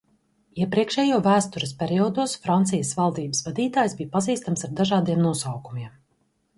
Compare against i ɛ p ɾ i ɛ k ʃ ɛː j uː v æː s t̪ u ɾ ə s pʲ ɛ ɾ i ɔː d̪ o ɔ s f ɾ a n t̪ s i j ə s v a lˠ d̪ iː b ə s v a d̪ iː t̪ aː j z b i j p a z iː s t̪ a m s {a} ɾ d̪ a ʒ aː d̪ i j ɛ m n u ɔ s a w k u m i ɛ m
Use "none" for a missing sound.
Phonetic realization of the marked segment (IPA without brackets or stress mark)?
a